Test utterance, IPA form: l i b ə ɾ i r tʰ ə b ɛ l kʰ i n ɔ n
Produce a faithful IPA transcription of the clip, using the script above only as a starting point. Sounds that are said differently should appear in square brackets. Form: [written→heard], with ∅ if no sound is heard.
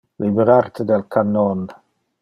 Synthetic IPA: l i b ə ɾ [i→a] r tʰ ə [b→d] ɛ l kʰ [i→a] n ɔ n